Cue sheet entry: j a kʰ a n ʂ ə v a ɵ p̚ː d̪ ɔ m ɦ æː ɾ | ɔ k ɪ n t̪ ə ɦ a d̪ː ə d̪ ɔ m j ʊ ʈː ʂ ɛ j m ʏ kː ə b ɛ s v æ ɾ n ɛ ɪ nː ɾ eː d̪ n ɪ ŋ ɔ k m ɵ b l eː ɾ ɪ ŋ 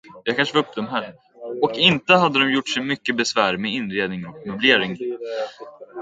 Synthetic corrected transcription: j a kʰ a n ʂ ə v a ɵ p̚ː d̪ ɔ m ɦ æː ɾ | ɔ k ɪ n t̪ ə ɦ a d̪ː ə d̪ ɔ m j ʊ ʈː ʂ ɛ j m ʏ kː ə b ɛ s v æː ɾ m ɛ ɪ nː ɾ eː d̪ n ɪ ŋ ɔ k m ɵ b l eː ɾ ɪ ŋ